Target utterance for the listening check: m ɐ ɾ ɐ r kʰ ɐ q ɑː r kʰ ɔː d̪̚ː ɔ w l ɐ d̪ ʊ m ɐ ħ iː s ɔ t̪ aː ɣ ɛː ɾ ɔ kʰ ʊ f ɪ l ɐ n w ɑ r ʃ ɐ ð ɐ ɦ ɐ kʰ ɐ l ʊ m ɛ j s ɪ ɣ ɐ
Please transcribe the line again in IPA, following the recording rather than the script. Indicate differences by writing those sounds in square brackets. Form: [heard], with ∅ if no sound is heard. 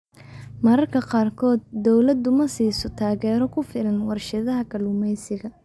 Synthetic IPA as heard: m ɐ ɾ ɐ r kʰ ɐ q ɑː r kʰ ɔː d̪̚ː ɔ w l ɐ d̪ ʊ m ɐ [s] iː s ɔ [t̪ʰ] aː ɣ ɛː ɾ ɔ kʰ ʊ f ɪ l ɐ n w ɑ r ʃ ɐ ð ɐ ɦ ɐ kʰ ɐ l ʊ m ɛ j s ɪ ɣ ɐ